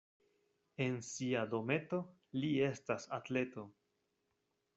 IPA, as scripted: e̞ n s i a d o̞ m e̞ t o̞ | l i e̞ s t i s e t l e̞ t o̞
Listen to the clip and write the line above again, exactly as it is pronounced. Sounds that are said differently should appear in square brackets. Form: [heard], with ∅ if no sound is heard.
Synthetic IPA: e̞ n s i a d o̞ m e̞ t o̞ | l i e̞ s t [a] s [a] t l e̞ t o̞